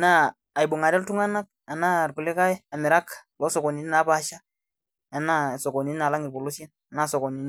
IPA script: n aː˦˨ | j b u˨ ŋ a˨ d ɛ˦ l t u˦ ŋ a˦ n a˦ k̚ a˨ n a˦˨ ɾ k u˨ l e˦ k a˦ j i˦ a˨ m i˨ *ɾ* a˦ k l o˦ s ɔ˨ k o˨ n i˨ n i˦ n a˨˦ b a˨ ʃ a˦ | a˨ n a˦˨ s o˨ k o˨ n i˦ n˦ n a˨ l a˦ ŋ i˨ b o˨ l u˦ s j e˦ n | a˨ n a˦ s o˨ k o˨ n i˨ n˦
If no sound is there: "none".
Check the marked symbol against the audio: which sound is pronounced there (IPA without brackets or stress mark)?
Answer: ɾ